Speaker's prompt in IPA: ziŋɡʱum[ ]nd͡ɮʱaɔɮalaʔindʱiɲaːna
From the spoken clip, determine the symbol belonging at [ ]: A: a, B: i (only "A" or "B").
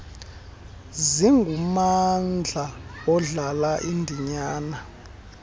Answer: A